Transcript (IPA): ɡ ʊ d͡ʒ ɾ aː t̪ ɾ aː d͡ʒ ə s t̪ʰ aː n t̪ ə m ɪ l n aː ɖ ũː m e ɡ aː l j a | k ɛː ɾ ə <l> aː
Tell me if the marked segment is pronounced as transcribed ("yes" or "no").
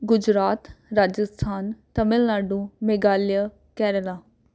yes